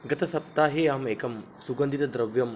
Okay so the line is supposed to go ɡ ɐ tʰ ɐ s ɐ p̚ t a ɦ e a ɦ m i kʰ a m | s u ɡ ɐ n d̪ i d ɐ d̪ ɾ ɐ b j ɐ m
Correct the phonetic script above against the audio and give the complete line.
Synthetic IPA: ɡ ɐ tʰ ɐ s ɐ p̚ t a ɦ e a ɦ m e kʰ ɐ m | s u ɡ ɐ n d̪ i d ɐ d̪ ɾ ɐ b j ɐ m